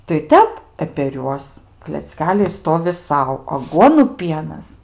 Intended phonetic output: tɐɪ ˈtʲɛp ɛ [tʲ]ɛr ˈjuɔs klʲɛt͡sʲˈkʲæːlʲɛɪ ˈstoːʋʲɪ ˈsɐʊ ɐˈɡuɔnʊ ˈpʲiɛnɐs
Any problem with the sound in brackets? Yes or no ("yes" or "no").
yes